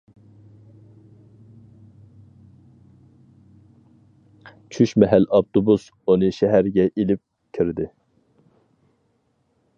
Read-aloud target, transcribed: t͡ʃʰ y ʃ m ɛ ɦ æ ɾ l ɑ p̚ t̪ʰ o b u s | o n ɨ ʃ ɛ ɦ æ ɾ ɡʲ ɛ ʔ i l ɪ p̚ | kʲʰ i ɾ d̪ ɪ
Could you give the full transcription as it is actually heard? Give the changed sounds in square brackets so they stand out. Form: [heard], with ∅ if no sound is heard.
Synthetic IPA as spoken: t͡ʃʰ y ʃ m ɛ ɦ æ [∅] l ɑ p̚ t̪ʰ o b u s | o n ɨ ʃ ɛ ɦ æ ɾ ɡʲ ɛ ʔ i l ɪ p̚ | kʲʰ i ɾ d̪ ɪ